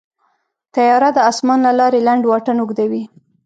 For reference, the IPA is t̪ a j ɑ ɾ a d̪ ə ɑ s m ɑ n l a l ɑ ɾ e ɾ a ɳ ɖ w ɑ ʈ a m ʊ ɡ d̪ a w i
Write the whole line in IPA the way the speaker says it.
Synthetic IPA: t̪ a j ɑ ɾ a d̪ ə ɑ s m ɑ n l a l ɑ ɾ e l a ɳ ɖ w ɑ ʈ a n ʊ ɡ d̪ a w i